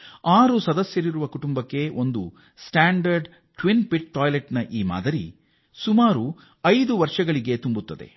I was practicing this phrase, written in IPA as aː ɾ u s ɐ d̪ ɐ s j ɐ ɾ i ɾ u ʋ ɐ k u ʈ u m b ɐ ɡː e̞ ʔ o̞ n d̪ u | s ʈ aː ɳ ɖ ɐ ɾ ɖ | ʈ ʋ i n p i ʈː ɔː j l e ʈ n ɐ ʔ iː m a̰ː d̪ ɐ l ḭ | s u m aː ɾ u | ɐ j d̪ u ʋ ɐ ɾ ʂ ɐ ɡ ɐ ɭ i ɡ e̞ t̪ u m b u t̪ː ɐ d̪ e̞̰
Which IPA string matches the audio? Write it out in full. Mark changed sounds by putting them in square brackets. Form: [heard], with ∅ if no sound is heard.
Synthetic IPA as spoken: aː ɾ u s ɐ d̪ ɐ s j ɐ ɾ i ɾ u ʋ ɐ k u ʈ u m b ɐ [kː] e̞ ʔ o̞ n d̪ u | s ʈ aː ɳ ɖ ɐ ɾ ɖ | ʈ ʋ i n p i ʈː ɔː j l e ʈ n ɐ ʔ iː m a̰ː d̪ ɐ [ɾ] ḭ | s u m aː ɾ u | ɐ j d̪ u ʋ ɐ ɾ ʂ ɐ ɡ ɐ ɭ i ɡ e̞ t̪ u m b u t̪ː ɐ d̪ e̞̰